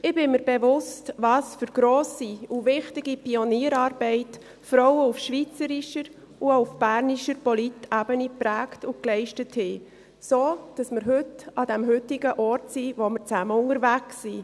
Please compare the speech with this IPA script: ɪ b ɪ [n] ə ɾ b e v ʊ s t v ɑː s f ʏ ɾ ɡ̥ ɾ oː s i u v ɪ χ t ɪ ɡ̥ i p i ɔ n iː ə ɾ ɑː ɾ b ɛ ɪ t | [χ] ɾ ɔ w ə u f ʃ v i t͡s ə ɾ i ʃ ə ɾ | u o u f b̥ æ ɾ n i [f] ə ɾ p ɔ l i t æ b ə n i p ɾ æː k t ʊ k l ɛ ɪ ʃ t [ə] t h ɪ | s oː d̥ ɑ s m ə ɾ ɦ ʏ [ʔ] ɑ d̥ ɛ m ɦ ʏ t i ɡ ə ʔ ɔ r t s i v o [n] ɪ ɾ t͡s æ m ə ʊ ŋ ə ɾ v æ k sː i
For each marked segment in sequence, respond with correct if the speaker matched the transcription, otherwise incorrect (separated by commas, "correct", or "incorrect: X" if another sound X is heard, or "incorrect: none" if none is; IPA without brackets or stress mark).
incorrect: m, incorrect: f, incorrect: ʃ, correct, incorrect: t, incorrect: m